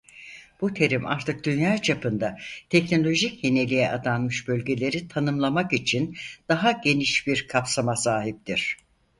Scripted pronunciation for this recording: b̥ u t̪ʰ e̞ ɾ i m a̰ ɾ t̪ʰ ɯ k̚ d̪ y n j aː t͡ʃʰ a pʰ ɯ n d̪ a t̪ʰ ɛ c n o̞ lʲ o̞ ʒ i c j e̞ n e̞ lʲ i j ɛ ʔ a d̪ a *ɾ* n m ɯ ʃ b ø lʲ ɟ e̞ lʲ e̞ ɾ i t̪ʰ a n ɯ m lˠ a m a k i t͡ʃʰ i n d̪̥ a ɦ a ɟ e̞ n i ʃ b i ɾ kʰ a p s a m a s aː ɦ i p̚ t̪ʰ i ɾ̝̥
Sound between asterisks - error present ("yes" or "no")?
yes